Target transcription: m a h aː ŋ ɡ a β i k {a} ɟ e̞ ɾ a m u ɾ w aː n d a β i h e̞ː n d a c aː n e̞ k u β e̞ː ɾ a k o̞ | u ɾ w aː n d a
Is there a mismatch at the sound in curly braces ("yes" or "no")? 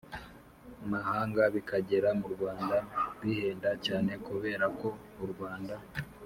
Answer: no